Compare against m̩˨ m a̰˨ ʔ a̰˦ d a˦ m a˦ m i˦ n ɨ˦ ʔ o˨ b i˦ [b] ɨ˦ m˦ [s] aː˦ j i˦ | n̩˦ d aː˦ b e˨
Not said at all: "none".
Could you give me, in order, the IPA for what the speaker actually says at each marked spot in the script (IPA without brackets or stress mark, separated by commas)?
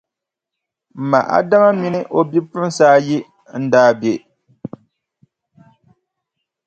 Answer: p, s